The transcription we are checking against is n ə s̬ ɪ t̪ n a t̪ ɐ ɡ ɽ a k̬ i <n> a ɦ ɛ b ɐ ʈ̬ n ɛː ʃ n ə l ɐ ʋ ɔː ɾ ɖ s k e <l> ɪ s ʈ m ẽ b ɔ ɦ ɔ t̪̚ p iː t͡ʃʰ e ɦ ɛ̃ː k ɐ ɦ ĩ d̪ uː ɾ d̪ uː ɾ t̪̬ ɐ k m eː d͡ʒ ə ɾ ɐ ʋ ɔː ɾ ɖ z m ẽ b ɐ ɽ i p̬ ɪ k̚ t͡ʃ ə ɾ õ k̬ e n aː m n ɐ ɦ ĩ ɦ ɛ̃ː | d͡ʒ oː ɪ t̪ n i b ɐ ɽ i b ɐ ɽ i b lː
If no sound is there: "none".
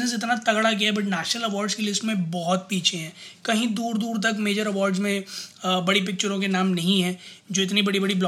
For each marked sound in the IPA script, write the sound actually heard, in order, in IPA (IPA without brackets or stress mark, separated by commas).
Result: none, l